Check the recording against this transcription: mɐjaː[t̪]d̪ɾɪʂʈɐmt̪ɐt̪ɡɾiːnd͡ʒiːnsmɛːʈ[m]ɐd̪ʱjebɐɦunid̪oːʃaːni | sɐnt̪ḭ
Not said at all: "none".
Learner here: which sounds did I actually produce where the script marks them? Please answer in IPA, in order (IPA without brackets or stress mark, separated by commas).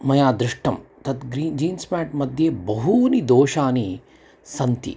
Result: none, m